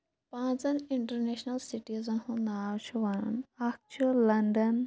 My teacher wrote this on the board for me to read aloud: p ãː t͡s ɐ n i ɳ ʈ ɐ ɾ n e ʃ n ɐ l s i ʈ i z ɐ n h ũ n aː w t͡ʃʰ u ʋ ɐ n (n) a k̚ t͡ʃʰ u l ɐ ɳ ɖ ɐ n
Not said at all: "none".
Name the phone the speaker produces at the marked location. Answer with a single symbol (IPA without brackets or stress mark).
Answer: n